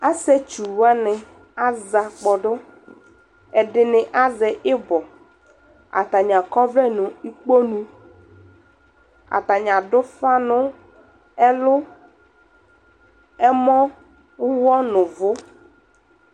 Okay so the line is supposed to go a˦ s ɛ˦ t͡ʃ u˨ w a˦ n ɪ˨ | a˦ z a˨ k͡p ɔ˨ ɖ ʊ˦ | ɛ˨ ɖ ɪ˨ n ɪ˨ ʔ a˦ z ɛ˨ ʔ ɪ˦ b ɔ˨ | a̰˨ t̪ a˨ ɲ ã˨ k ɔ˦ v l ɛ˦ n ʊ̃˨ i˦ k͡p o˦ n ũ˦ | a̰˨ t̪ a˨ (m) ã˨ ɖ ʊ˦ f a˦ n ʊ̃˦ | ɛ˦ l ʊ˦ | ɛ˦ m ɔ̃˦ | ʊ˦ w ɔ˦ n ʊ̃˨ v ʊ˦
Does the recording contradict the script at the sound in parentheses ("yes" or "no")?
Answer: yes